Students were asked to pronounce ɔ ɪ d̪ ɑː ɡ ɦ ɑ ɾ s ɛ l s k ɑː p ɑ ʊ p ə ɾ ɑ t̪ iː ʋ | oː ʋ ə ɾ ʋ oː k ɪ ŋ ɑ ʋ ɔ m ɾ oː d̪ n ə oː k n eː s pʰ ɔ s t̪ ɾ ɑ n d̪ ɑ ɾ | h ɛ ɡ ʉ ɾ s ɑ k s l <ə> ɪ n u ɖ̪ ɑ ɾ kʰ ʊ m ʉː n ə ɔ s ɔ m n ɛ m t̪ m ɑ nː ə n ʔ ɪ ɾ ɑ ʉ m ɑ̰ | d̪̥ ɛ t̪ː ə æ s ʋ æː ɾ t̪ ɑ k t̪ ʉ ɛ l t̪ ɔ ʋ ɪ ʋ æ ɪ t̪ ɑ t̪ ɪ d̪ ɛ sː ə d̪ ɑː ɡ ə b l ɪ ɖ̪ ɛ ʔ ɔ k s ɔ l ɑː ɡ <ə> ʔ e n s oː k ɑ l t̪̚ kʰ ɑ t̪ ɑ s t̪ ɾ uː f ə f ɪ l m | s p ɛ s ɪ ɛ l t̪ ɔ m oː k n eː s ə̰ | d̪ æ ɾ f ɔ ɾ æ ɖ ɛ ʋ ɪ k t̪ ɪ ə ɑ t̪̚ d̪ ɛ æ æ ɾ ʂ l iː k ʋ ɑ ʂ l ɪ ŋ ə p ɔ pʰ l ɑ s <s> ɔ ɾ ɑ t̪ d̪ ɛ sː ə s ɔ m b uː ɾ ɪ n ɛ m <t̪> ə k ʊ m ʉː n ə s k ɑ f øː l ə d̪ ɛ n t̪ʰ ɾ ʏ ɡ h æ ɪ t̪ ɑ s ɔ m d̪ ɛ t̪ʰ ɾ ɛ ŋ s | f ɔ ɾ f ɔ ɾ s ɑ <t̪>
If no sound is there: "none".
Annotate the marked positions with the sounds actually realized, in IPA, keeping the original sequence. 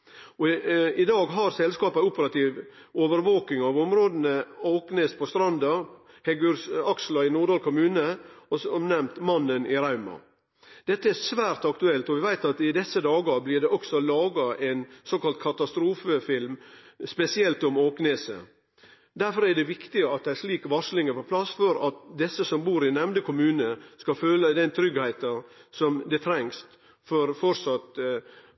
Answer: ɑ, ɑ, f, d̪, t̪

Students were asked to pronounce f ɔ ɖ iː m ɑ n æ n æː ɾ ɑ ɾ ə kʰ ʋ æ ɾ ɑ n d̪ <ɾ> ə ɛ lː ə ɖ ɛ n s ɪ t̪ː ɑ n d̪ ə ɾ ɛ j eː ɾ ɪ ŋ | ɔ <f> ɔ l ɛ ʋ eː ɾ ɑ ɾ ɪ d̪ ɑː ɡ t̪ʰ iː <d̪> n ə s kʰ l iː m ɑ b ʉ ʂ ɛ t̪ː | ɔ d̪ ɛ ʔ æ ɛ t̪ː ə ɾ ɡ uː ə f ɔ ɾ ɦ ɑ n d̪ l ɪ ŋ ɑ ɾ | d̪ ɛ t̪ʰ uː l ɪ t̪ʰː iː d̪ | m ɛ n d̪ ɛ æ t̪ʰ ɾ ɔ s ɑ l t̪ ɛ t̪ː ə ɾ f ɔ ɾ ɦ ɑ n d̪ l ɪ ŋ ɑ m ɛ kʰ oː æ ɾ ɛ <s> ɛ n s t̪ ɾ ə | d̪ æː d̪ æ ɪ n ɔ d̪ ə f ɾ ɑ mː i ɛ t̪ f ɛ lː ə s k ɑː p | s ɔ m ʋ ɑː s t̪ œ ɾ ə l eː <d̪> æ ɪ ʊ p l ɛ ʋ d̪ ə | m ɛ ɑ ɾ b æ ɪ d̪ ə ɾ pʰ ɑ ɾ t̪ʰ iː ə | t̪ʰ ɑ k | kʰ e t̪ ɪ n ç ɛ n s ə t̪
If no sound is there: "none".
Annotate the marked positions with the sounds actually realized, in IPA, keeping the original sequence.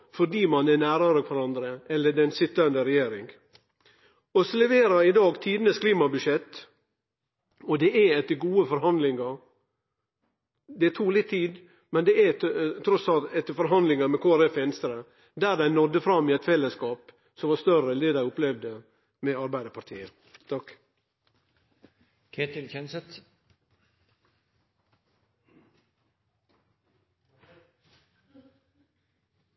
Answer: ɾ, s, d̪, f, d̪

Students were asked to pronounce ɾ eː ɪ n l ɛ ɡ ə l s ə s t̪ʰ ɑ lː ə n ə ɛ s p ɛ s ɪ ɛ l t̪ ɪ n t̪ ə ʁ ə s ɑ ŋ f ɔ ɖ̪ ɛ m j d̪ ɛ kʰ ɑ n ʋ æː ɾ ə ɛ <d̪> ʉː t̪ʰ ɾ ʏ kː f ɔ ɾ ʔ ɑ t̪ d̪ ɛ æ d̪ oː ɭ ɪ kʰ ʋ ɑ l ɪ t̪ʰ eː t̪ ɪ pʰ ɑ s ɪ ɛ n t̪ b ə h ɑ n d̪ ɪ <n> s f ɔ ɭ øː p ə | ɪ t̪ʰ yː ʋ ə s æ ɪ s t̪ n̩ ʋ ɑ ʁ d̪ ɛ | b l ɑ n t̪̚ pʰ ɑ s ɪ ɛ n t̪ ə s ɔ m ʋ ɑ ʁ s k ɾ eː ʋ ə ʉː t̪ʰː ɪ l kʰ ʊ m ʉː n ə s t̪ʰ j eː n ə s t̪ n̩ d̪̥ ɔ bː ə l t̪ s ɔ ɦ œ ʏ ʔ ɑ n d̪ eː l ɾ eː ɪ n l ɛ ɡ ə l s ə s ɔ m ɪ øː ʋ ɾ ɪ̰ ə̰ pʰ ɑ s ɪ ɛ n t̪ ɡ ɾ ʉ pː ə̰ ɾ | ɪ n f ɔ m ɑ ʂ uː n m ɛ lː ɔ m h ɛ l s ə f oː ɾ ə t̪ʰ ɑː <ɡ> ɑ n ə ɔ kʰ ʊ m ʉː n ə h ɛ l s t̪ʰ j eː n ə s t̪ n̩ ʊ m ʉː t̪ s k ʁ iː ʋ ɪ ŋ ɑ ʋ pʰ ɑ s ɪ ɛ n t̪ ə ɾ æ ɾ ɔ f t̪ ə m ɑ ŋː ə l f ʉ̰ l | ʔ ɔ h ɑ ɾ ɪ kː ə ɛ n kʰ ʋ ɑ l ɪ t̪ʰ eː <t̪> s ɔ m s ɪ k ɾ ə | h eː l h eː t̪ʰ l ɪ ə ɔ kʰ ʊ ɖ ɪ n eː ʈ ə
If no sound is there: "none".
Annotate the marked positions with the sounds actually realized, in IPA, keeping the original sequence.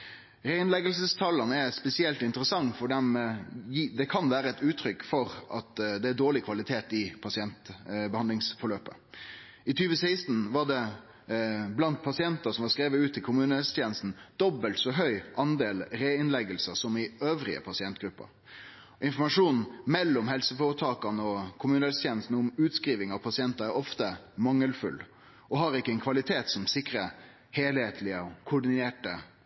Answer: t̪, ŋ, k, t̪

